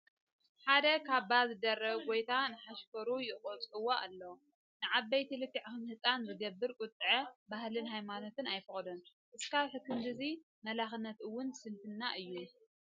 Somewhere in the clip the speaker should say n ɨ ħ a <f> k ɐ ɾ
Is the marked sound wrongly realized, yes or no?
yes